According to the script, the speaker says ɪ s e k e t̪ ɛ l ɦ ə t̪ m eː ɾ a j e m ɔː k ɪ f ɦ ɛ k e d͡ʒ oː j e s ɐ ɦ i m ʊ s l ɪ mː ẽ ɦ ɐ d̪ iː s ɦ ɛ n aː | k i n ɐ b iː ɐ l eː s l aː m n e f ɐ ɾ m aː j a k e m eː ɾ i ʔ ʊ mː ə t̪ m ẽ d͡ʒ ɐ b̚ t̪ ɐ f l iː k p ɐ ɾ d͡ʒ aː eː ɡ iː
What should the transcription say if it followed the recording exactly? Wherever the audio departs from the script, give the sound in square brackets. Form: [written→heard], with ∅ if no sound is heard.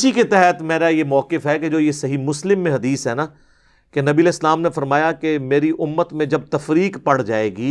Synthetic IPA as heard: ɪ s [e→i] k e t̪ ɛ [l→∅] ɦ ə t̪ m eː ɾ a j e m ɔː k ɪ f ɦ ɛ k e d͡ʒ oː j e s ɐ ɦ i m ʊ s l ɪ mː ẽ ɦ ɐ d̪ iː s ɦ ɛ n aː | k [i→e] n ɐ b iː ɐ l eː s l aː m n e f ɐ ɾ m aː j a k e m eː ɾ i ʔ ʊ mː ə t̪ m ẽ d͡ʒ ɐ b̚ t̪ ɐ f [l→ɾ] iː k p ɐ [ɾ→ɽ] d͡ʒ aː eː ɡ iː